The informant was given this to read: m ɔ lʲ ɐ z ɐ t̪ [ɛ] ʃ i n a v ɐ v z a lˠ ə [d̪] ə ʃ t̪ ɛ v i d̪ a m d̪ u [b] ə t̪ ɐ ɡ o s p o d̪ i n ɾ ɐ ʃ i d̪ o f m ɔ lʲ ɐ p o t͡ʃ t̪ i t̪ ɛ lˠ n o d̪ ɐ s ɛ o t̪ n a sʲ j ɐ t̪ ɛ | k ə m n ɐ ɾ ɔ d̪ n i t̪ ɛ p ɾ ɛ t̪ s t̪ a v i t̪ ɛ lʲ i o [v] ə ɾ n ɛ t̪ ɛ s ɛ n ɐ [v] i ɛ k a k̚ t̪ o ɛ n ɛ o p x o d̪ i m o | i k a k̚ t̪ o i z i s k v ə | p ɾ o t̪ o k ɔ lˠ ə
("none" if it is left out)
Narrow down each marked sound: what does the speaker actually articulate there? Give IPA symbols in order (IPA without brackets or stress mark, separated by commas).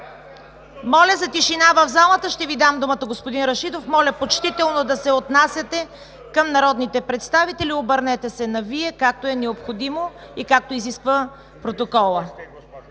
i, t̪, m, b, v